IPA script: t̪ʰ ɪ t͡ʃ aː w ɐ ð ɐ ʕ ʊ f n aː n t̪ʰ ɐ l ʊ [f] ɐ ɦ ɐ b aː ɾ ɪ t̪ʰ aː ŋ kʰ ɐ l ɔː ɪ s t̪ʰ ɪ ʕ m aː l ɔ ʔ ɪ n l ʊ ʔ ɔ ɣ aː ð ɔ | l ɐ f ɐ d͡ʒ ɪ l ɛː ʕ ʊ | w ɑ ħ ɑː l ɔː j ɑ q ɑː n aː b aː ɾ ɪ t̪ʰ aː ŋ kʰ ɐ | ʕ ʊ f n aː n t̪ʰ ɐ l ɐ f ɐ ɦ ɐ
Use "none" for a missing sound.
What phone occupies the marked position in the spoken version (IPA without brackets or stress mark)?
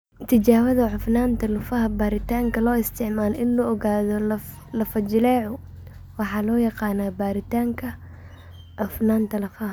f